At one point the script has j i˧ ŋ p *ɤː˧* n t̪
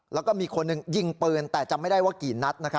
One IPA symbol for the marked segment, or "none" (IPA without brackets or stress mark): ɤː˧